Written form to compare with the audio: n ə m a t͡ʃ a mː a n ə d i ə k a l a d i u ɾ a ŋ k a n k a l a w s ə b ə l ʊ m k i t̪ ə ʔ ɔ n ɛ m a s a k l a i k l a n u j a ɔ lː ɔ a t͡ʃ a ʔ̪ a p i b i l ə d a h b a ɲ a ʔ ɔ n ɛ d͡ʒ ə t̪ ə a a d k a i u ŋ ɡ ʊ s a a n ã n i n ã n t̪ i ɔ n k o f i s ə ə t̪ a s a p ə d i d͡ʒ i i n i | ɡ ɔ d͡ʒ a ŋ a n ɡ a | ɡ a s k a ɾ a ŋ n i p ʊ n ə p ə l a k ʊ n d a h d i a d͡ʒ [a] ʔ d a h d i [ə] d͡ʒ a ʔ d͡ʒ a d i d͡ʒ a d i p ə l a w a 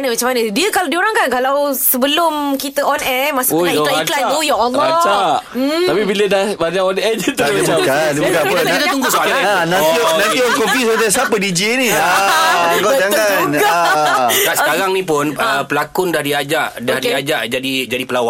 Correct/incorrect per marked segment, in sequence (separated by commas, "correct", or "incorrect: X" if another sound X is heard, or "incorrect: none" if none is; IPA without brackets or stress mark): correct, incorrect: a